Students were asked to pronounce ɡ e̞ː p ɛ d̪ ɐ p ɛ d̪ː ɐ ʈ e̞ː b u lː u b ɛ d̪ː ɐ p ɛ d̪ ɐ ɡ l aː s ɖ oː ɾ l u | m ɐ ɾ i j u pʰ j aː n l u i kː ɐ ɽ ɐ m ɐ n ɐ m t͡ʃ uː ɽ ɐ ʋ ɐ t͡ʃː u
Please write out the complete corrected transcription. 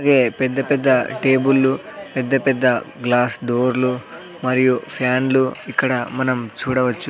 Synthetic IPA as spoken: ɡ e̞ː p ɛ d̪ː ɐ p ɛ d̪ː ɐ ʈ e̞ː b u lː u p ɛ d̪ː ɐ p ɛ d̪ː ɐ ɡ l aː s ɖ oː ɾ l u | m ɐ ɾ i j u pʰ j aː n l u i kː ɐ ɽ ɐ m ɐ n ɐ m t͡ʃ uː ɽ ɐ ʋ ɐ t͡ʃː u